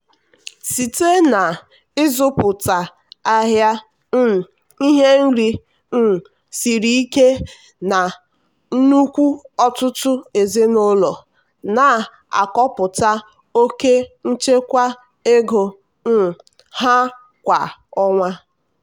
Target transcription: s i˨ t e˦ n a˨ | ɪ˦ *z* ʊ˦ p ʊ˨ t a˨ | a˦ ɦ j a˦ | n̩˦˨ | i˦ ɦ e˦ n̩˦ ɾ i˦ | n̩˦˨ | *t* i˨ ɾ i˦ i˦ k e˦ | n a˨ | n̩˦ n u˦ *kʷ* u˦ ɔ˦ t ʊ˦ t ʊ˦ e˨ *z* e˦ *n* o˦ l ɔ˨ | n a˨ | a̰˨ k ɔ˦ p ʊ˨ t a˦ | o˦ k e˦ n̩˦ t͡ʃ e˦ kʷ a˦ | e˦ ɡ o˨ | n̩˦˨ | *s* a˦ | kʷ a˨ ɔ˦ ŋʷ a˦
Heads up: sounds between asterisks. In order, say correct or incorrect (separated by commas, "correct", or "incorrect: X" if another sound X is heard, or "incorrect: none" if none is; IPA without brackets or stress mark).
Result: correct, incorrect: s, correct, correct, correct, incorrect: h